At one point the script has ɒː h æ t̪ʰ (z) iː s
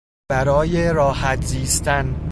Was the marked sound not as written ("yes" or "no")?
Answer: no